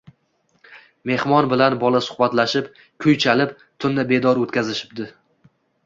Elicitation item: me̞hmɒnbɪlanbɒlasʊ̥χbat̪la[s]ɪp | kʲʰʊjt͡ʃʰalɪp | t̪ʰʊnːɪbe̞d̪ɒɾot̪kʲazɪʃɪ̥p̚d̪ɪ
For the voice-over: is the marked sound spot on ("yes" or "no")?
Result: no